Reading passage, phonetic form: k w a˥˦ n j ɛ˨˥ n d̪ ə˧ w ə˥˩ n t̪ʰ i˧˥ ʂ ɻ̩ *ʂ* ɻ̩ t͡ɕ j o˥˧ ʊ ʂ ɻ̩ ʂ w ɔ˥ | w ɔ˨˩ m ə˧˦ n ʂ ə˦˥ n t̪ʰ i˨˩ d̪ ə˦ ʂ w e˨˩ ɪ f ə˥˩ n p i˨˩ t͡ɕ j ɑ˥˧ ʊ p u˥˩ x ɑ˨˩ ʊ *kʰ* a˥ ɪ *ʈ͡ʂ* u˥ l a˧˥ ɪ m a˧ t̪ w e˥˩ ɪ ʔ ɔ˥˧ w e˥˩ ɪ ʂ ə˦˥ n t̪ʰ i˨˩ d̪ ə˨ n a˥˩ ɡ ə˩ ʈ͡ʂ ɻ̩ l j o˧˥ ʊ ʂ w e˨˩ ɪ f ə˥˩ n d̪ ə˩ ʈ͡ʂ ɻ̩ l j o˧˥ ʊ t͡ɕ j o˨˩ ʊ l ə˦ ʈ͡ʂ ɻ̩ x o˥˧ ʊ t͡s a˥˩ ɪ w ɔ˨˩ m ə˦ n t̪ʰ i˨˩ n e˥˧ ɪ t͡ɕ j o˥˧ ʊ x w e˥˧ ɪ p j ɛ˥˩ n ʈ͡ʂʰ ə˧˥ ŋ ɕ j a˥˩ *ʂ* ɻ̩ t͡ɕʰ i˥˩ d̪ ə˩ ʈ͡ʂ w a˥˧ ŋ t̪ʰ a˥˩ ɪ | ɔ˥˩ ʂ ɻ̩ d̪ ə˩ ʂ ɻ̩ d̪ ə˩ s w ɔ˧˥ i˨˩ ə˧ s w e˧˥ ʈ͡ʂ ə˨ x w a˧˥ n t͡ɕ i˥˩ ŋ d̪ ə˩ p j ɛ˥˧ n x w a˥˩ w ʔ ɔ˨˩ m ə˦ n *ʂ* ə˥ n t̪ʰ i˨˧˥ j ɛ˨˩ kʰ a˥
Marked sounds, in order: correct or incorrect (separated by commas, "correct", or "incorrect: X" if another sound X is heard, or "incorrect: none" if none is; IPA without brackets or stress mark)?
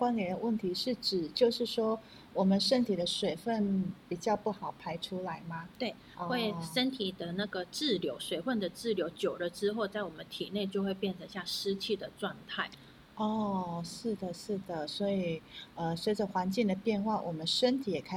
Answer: incorrect: ʈ͡ʂ, incorrect: pʰ, incorrect: ʈ͡ʂʰ, correct, correct